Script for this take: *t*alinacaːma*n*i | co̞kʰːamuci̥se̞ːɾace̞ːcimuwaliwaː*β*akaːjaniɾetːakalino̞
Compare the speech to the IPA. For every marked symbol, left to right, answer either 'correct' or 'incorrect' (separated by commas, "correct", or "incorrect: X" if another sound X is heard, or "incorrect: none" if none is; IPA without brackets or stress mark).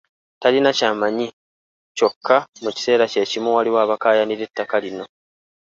correct, incorrect: ɲ, correct